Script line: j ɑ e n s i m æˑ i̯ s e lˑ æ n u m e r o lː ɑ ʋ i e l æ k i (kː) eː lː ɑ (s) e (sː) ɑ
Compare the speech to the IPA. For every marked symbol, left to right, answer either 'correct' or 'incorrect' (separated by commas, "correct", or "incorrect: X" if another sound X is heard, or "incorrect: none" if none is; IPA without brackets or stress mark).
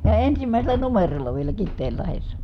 incorrect: tː, incorrect: h, correct